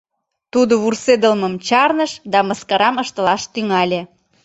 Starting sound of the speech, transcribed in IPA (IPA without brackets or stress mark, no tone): t̪